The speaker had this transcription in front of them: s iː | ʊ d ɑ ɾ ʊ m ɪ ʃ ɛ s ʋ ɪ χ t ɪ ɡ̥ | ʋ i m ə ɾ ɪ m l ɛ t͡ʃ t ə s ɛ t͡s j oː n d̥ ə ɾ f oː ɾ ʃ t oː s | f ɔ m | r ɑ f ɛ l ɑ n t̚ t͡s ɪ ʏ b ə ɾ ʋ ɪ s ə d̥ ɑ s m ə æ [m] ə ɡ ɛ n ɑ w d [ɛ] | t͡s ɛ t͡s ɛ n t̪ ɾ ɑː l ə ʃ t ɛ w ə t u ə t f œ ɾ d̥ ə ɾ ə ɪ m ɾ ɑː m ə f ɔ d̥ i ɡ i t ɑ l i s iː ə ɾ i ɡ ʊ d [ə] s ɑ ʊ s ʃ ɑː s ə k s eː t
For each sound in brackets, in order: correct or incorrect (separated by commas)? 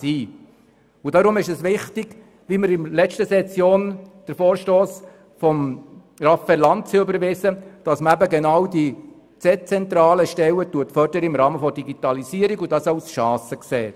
incorrect, incorrect, incorrect